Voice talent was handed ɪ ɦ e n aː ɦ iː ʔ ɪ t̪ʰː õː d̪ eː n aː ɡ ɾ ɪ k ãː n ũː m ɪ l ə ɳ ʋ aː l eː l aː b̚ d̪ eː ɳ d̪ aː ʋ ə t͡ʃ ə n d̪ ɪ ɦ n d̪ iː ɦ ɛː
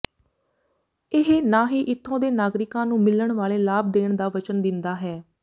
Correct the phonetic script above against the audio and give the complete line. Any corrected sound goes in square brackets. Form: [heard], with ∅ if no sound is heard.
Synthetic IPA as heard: ɪ ɦ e n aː ɦ iː ʔ ɪ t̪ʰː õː d̪ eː n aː ɡ ɾ ɪ k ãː n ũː m ɪ l ə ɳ ʋ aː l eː l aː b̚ d̪ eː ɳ d̪ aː ʋ ə t͡ʃ ə n d̪ ɪ [∅] n d̪ [aː] ɦ ɛː